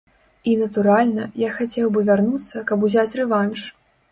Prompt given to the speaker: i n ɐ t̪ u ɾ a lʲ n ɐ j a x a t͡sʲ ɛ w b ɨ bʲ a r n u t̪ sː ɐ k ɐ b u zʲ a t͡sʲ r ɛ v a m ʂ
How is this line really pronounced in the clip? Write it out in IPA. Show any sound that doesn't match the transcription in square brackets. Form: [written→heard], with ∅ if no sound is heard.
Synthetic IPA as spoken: i n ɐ t̪ u ɾ a lʲ n ɐ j a x a t͡sʲ ɛ w b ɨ [bʲ→vʲ] a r n u t̪ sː ɐ k ɐ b u zʲ a t͡sʲ r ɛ v a [m→n] ʂ